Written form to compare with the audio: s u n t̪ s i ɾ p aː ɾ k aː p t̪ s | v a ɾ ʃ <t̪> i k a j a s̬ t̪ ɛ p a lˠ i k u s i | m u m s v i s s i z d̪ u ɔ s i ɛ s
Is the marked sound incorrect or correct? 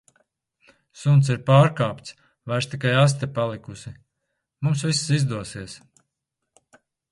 correct